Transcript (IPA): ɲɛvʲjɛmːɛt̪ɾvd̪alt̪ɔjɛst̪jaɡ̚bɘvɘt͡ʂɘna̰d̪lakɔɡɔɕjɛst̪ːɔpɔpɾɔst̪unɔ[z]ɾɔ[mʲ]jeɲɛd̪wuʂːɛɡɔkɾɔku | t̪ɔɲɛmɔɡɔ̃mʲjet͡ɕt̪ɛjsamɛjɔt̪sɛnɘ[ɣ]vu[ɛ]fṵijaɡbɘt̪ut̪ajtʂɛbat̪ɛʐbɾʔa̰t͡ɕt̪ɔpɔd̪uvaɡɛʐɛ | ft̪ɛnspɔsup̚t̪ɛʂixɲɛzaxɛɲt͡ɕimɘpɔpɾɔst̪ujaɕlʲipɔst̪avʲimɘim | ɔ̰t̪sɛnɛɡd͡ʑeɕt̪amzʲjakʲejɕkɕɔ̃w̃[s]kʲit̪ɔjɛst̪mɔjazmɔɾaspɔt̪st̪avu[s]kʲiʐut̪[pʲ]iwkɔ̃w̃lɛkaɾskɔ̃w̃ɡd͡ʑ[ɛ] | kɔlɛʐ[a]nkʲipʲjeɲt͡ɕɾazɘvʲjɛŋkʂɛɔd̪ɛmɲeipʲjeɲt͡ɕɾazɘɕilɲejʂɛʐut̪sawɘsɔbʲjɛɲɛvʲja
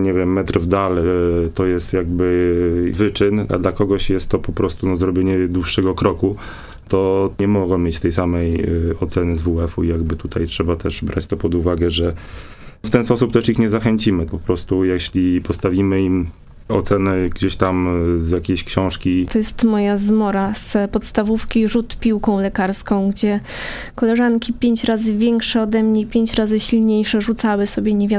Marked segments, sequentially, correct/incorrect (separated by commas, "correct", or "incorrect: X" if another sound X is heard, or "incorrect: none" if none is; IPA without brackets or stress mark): correct, incorrect: bʲ, incorrect: z, correct, incorrect: ʂ, incorrect: f, correct, correct, correct